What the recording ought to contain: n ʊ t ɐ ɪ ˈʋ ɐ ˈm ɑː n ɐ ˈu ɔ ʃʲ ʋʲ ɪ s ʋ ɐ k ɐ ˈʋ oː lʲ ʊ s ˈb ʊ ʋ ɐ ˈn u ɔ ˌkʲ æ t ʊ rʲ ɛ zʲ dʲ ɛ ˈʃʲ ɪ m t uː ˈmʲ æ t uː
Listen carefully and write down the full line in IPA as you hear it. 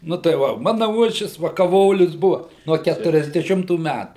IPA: n ʊ t ɐ ɪ ˈʋ ɐ ˈm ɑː n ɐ ˈu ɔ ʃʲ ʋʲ ɪ s ʋ ɐ k ɐ ˈʋ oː lʲ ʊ s ˈb ʊ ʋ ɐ ˈn u ɔ ˌkʲ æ t ʊ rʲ ɛ zʲ dʲ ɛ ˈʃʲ ɪ m t uː ˈmʲ æ t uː